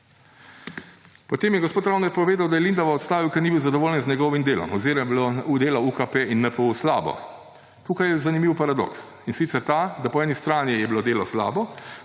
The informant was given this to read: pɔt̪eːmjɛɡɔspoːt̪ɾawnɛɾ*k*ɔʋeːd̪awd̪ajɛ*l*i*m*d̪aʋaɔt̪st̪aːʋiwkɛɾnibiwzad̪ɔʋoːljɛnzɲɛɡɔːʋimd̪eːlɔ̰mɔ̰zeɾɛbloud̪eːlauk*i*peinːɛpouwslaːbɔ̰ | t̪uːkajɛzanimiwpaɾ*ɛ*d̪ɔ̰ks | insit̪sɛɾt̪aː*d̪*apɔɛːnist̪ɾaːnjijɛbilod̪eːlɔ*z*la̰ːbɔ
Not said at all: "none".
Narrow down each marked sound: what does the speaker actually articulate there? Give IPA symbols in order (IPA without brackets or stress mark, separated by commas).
p, l, n, a, a, d̪, s